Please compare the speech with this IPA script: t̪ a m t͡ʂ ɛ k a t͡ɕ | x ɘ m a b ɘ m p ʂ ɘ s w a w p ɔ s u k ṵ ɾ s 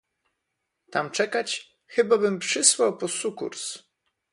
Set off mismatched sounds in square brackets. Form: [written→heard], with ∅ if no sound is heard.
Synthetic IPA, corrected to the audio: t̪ a m t͡ʂ ɛ k a t͡ɕ | x ɘ [m→b] a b ɘ m p ʂ ɘ s w a w p ɔ s u k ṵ ɾ s